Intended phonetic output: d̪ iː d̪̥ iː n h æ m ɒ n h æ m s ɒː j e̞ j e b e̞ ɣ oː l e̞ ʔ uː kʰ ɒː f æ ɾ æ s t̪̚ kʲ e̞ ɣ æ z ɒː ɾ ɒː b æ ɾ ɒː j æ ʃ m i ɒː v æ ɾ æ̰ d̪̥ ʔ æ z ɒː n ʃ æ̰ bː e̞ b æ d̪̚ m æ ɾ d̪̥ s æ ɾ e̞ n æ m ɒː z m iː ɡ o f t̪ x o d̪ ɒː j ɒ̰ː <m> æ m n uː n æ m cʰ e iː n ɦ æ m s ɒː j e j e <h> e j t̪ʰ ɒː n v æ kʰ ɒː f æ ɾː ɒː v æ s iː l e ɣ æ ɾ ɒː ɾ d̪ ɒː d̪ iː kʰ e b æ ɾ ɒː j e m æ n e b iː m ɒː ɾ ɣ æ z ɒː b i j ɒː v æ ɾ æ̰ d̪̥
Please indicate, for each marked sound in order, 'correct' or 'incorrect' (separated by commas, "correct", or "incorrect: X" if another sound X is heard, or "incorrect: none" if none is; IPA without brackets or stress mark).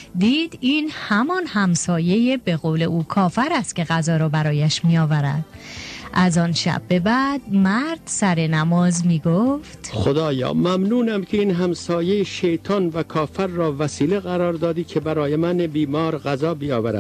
correct, incorrect: ʃ